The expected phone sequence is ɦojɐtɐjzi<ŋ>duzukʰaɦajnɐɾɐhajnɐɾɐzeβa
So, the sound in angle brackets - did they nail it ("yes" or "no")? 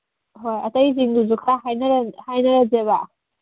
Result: yes